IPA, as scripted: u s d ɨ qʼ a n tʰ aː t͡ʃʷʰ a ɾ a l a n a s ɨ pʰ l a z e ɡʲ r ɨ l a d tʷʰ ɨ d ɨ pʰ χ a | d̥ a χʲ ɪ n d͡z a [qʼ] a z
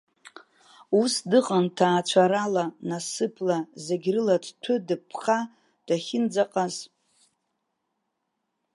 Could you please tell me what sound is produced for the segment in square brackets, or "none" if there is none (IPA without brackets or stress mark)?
qʼ